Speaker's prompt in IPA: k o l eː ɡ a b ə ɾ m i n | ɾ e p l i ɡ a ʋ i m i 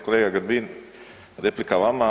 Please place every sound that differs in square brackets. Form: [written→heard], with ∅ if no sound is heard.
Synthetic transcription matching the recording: k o l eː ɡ a [b→ɡ] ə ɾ [m→b] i n | ɾ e p l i [ɡ→k] a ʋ [i→a] m [i→a]